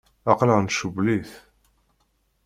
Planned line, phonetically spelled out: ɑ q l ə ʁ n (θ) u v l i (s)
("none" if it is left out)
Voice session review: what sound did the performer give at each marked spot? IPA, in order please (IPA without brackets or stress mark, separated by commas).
ʃ, θ